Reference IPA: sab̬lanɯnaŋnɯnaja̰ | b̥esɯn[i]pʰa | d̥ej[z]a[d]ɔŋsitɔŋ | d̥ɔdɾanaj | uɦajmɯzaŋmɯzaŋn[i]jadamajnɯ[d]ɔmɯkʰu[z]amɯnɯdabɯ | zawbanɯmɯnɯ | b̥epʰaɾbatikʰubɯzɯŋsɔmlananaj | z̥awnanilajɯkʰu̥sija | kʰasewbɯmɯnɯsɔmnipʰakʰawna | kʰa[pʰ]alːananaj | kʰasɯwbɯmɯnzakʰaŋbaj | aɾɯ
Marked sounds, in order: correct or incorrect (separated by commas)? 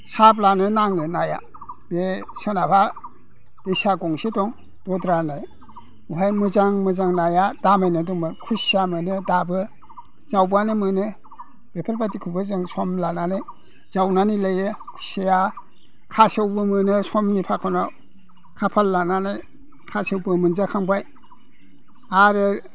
incorrect, incorrect, incorrect, incorrect, correct, incorrect, correct